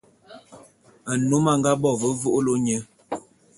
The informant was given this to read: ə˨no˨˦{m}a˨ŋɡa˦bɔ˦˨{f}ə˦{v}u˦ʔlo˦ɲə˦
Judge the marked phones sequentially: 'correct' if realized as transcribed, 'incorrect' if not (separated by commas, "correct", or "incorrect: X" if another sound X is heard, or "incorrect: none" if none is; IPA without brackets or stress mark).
correct, incorrect: v, correct